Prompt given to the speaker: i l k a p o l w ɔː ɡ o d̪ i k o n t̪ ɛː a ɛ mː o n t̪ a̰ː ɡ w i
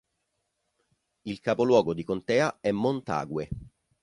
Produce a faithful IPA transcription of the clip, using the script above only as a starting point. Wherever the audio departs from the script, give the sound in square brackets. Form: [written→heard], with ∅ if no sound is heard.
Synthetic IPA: i l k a p o l w ɔː ɡ o d̪ i k o n t̪ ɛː a ɛ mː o n t̪ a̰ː ɡ w [i→e]